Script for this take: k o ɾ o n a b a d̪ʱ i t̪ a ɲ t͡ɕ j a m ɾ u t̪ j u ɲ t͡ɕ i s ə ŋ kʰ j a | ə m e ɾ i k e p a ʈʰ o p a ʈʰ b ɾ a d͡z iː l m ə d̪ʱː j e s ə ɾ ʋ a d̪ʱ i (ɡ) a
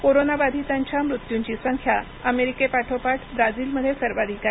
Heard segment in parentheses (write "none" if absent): k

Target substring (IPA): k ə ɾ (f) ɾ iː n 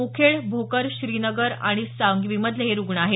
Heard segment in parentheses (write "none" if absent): ɕ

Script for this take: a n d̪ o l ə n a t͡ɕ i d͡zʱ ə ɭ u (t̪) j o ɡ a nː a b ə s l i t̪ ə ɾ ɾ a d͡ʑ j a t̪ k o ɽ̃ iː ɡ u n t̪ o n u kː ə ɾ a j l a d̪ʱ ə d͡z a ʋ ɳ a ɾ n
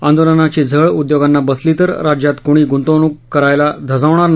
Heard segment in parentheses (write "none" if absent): d̪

